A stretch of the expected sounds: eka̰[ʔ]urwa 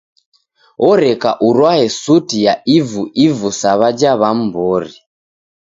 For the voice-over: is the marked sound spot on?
yes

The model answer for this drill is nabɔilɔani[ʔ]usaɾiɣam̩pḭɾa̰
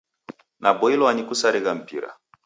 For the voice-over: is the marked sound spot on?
no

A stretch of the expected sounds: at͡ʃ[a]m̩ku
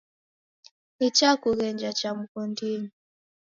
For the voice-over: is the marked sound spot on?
yes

